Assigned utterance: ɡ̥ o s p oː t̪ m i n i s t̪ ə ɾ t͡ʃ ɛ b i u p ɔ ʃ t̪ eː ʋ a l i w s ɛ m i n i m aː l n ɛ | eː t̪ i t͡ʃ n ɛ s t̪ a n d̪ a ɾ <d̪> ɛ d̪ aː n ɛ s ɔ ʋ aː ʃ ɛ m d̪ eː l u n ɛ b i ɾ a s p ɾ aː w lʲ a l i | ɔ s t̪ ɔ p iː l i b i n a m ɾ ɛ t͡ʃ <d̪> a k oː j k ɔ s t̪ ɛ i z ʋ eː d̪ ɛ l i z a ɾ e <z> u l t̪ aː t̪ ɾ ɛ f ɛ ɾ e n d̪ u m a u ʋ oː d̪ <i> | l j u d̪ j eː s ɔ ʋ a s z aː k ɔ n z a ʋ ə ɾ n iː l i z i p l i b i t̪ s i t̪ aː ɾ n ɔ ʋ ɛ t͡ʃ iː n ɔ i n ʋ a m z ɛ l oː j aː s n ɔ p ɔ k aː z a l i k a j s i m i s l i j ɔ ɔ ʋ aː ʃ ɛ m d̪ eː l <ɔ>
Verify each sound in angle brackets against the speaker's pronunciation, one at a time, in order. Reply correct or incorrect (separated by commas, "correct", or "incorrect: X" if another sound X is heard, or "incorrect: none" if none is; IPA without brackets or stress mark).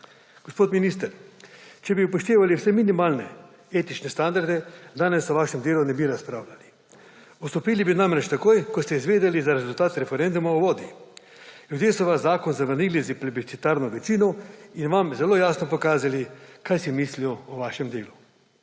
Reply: correct, incorrect: t̪, correct, correct, incorrect: u